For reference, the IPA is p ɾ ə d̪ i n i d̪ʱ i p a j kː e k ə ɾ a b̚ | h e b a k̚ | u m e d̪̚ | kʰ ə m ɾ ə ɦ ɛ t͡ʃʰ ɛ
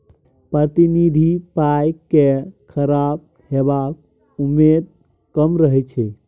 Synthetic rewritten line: p ɾ ə t̪ i n i d̪ʱ i p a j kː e kʰ ə ɾ a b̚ | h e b a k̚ | u m e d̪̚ | k ə m ɾ ə ɦ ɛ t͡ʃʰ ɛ